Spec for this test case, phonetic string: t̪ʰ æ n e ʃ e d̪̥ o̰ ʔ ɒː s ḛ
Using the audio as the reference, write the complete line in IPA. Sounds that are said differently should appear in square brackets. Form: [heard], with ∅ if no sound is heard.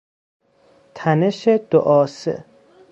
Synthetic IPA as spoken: t̪ʰ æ n e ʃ e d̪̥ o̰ ʔ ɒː s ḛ

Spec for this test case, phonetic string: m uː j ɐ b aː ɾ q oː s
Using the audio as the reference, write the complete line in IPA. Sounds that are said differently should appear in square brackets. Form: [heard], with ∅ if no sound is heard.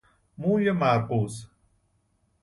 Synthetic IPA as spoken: m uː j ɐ [m] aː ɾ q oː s

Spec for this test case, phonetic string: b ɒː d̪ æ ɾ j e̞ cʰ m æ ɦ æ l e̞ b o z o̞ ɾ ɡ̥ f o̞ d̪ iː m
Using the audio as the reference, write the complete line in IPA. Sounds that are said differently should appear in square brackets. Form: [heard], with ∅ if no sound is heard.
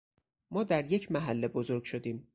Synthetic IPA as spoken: [m] ɒː d̪ æ ɾ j e̞ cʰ m æ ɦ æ [lː] e̞ b o z o̞ ɾ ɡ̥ [ʃ] o̞ d̪ iː m

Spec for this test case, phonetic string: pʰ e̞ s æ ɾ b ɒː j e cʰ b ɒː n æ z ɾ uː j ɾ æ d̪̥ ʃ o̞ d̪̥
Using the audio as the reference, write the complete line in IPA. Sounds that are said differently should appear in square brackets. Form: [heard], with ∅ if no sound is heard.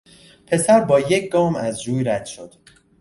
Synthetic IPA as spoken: pʰ e̞ s æ ɾ b ɒː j e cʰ [ɡ] ɒː [m] æ z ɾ uː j ɾ æ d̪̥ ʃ o̞ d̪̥

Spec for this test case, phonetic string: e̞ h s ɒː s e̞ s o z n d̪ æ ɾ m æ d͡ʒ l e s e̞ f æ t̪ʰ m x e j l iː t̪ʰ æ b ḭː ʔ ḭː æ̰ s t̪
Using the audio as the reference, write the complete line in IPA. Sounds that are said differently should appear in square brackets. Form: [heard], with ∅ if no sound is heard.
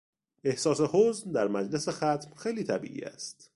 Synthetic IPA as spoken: e̞ h s ɒː s e̞ [h] o z n d̪ æ ɾ m æ d͡ʒ l e s e̞ [x] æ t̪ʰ m x e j l iː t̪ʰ æ b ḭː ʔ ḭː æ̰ s t̪

